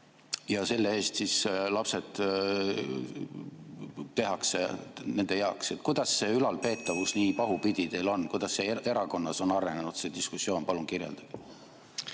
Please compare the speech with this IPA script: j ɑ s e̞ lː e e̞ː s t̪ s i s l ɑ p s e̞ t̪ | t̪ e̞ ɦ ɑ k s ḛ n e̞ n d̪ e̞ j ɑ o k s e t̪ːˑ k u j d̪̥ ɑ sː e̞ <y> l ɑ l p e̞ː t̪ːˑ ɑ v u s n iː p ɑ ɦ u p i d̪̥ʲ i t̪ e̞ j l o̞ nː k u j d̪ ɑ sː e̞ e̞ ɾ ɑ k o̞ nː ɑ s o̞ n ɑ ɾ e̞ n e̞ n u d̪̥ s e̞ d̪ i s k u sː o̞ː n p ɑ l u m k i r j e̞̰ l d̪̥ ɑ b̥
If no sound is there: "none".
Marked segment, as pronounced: y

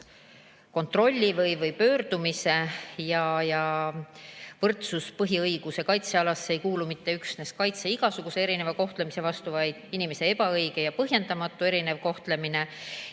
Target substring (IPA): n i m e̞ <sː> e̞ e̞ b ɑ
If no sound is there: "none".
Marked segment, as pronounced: s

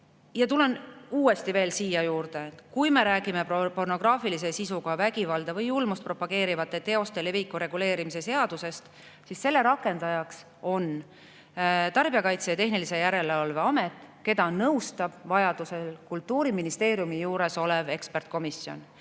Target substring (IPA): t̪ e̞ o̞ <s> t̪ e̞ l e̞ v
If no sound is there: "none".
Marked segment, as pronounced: s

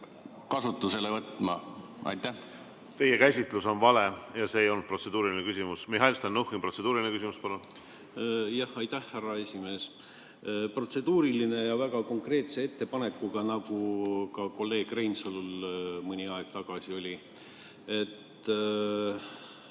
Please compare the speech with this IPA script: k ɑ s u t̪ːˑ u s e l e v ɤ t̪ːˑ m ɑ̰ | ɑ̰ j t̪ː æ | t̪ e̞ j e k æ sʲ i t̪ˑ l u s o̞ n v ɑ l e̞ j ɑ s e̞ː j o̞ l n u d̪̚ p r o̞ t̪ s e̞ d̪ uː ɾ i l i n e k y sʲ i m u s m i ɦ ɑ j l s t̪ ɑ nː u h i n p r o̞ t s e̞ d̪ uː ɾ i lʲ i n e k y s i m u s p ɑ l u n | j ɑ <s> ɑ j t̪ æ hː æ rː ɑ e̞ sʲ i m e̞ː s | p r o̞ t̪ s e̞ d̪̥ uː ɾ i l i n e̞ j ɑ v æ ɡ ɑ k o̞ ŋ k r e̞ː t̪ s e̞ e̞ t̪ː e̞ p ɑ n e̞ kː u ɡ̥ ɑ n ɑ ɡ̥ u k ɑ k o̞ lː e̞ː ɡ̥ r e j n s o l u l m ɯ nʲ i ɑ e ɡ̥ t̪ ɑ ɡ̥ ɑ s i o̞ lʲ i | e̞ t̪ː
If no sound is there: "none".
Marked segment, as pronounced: h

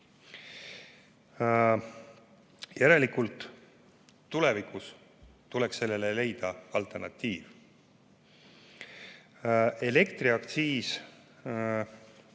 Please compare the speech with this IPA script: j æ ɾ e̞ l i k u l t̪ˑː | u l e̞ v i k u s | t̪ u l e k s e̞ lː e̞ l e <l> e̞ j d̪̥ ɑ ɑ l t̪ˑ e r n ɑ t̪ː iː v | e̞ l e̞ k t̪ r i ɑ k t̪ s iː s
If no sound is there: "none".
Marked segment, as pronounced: l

